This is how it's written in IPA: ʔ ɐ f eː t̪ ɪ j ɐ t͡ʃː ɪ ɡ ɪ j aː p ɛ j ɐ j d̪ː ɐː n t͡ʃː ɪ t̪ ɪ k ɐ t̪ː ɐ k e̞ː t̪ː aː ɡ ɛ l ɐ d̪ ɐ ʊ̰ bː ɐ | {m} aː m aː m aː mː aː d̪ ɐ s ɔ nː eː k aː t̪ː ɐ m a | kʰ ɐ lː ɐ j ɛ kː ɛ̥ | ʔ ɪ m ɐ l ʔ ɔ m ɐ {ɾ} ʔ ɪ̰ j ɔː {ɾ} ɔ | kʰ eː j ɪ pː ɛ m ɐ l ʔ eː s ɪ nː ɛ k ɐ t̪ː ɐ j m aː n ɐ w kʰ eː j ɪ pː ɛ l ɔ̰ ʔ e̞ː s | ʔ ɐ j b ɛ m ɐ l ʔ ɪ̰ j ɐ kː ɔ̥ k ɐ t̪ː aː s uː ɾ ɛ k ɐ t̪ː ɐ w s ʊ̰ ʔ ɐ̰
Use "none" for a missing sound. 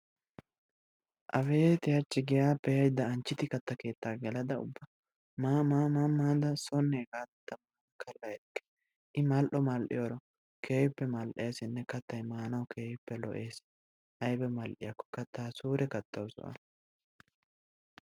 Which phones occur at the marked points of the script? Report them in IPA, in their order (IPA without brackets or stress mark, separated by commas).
m, l, ɾ